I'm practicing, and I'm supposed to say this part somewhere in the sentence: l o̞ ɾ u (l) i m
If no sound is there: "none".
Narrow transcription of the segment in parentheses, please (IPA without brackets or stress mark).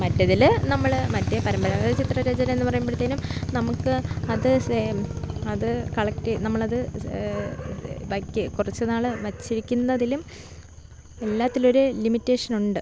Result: l